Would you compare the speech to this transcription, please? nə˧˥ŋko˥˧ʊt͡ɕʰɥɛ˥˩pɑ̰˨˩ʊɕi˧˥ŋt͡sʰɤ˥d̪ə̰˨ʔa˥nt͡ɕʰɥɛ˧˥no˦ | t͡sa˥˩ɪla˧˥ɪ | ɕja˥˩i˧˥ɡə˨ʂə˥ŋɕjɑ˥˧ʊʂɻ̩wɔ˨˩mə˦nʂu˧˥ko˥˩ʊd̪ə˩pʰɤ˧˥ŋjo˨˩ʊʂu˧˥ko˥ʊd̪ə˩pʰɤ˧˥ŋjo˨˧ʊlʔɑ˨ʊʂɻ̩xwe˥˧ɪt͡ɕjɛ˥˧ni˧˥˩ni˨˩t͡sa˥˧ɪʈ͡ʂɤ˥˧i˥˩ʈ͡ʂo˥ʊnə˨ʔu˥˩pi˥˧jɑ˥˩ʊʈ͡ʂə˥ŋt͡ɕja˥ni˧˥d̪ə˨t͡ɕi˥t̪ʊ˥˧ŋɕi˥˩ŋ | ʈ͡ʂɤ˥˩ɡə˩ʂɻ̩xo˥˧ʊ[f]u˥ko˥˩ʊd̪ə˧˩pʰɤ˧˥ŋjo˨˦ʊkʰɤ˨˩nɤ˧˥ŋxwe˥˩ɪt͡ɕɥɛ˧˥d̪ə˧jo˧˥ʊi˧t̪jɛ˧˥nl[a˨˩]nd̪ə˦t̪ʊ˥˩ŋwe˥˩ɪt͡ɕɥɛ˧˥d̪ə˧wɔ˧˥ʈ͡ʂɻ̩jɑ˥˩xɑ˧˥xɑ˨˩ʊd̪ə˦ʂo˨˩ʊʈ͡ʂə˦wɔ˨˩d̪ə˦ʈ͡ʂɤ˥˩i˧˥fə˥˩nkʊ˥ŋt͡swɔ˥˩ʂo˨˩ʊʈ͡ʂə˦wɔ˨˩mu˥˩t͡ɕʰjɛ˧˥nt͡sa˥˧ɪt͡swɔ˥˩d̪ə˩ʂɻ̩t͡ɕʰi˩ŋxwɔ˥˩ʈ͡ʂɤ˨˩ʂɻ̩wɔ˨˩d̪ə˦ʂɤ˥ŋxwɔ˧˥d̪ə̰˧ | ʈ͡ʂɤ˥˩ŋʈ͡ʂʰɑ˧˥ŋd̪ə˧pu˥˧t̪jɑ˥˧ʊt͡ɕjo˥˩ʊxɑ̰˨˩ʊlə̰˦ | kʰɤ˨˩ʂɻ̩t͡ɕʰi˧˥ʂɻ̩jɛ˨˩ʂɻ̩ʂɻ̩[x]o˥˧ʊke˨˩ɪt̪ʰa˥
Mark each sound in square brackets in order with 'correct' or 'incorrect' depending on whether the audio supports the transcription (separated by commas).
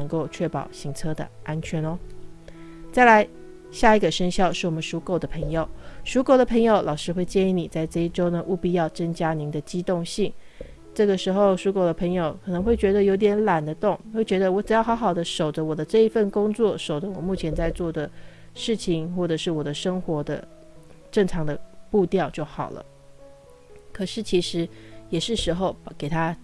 incorrect, correct, correct